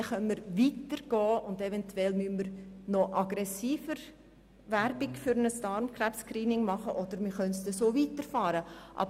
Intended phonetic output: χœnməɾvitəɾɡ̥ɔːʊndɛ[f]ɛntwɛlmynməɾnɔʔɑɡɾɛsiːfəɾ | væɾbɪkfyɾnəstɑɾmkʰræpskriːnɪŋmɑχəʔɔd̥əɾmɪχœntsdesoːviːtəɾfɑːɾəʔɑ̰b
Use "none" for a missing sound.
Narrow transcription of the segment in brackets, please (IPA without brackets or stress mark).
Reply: v